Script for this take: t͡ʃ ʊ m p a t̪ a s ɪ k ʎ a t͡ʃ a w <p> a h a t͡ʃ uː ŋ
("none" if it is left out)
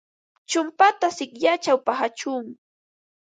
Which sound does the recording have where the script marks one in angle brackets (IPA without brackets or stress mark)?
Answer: p